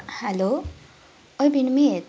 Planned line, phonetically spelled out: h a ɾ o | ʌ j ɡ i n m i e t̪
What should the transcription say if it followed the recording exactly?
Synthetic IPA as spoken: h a l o | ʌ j b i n m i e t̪